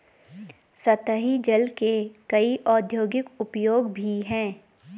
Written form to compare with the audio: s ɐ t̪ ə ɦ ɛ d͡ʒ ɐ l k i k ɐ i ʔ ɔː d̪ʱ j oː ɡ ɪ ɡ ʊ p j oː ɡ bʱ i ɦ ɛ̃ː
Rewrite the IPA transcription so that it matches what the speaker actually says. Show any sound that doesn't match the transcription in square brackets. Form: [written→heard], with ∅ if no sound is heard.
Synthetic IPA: s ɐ t̪ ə ɦ [ɛ→i] d͡ʒ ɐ l k [i→e] k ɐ i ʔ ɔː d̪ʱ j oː ɡ ɪ [ɡ→k] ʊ p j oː ɡ bʱ i ɦ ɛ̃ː

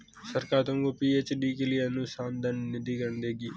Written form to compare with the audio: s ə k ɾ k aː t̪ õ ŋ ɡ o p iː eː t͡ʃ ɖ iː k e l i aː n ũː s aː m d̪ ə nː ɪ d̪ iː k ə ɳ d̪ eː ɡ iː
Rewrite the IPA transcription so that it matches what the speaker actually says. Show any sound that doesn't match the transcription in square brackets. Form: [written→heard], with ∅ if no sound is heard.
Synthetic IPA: s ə [k→∅] ɾ k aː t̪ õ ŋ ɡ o p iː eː t͡ʃ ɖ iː k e l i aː n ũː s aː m d̪ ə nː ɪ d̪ iː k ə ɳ d̪ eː ɡ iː

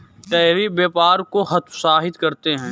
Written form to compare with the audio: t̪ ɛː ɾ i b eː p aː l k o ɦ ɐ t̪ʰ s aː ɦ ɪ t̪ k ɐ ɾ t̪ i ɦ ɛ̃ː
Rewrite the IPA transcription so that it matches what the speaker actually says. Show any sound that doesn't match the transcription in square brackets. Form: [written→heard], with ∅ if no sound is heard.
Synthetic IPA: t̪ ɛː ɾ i b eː p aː [l→ɾ] k o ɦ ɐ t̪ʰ s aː ɦ ɪ t̪ k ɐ ɾ t̪ [i→e] ɦ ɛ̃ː

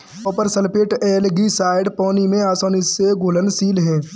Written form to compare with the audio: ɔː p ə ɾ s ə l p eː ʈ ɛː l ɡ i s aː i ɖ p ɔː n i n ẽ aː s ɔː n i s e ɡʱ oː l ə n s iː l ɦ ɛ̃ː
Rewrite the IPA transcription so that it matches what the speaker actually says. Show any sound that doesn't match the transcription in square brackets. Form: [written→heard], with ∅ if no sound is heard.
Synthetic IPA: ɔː p ə ɾ s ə l p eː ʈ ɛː l ɡ i s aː [i→ɪ] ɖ p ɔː n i [n→m] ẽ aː s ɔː n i s e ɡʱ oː l ə n s iː l ɦ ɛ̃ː

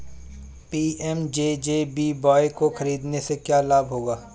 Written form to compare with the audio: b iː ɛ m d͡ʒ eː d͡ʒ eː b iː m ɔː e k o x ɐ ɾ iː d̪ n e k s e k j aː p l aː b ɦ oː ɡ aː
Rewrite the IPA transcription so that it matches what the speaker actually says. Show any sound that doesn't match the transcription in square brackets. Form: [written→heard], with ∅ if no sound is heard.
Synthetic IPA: [b→p] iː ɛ m d͡ʒ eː d͡ʒ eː b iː [m→b] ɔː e k o x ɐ ɾ iː d̪ n e [k→∅] s e k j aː [p→∅] l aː b ɦ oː ɡ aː

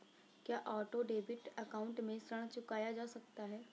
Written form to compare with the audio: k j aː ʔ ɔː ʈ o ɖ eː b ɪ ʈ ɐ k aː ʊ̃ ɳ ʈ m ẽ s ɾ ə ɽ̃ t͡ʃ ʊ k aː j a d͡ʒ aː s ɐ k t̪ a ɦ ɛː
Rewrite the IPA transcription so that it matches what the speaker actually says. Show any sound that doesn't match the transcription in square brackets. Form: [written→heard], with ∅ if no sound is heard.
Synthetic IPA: k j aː ʔ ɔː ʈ o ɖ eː b ɪ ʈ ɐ k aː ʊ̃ ɳ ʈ m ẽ s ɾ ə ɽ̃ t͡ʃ ʊ k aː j a d͡ʒ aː s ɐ k t̪ a ɦ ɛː

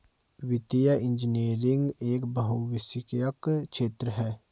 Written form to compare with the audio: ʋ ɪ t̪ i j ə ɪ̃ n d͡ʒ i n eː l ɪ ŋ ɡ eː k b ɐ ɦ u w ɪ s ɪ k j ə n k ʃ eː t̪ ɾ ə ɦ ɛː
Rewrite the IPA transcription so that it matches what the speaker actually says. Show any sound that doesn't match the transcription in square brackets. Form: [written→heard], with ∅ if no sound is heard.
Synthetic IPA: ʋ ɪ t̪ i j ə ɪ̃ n d͡ʒ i n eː [l→ɾ] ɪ ŋ ɡ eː k b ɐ ɦ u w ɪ s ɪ k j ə [n→∅] k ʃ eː t̪ ɾ ə ɦ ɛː

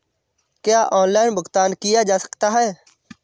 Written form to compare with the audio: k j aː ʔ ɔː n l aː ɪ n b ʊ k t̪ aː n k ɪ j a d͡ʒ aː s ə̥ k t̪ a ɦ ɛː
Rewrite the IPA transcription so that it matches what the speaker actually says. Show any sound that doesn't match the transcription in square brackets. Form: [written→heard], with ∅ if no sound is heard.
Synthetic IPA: k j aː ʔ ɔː n l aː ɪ n b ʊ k t̪ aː n k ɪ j a d͡ʒ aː s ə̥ k t̪ a ɦ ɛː

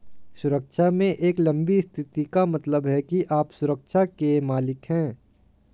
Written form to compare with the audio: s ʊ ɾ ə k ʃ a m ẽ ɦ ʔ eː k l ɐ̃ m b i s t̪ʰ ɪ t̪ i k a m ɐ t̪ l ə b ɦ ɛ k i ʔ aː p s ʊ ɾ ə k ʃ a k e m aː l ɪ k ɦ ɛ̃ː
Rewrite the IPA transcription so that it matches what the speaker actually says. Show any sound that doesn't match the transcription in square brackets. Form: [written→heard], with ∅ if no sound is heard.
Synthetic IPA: s ʊ ɾ ə k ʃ a m ẽ [ɦ→∅] ʔ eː k l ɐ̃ m b i s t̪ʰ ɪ t̪ i k a m ɐ t̪ l ə b ɦ ɛ k i ʔ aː p s ʊ ɾ ə k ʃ a k e m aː l ɪ k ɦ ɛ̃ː

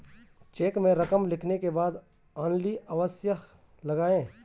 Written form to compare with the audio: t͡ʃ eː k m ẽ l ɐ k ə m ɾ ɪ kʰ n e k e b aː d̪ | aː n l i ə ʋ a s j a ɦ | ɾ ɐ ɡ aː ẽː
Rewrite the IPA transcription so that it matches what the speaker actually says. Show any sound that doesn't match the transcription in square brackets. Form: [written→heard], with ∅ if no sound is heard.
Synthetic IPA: t͡ʃ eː k m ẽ [l→ɾ] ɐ k ə m [ɾ→l] ɪ kʰ n e k e b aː d̪ | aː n l i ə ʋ [a→ə] s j [a→ə] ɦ | [ɾ→l] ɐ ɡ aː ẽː

